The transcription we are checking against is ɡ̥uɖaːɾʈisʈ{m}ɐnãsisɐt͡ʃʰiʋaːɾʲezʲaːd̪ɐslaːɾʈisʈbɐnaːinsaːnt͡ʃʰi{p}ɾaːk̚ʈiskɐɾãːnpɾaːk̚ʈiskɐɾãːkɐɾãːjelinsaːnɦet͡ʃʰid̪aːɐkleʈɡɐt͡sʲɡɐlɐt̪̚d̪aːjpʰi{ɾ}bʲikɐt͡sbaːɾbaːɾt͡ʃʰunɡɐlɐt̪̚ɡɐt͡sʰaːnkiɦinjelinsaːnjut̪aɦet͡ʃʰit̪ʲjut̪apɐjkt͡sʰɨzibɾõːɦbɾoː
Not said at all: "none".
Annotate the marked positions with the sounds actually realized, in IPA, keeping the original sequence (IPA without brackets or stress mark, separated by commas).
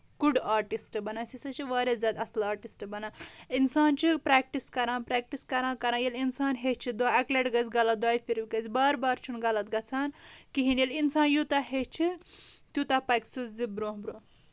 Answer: b, p, ɾ